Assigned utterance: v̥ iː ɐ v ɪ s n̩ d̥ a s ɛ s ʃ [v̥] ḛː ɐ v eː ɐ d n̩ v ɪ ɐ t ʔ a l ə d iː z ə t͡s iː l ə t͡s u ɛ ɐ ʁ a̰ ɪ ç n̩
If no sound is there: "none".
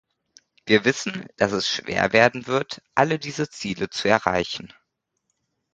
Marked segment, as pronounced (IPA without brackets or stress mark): v̥